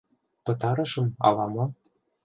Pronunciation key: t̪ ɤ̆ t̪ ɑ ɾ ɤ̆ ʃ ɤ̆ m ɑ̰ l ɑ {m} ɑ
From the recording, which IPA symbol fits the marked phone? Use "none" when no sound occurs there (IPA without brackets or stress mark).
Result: m